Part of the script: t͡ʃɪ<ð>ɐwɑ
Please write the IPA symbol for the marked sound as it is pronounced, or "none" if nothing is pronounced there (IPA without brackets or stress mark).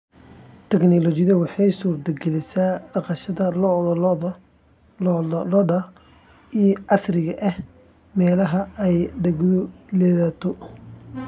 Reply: ð